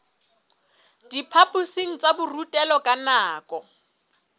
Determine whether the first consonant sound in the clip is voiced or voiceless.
voiced